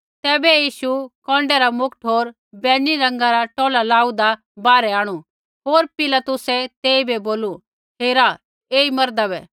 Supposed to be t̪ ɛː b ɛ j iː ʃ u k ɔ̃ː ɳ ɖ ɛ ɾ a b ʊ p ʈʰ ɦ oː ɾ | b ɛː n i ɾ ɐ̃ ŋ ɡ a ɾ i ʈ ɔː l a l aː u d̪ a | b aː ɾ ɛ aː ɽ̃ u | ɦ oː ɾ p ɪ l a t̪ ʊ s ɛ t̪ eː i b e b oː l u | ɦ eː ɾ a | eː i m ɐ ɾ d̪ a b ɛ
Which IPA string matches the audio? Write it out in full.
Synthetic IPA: t̪ ɛː b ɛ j iː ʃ u k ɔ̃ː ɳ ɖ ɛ ɾ a m ʊ k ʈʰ ɦ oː ɾ | b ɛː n i ɾ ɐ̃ ŋ ɡ a ɾ a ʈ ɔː l a l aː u d̪ a | b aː ɾ ɛ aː ɽ̃ u | ɦ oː ɾ p ɪ l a t̪ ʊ s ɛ t̪ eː i b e b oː l u | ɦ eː ɾ a | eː i m ɐ ɾ d̪ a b ɛ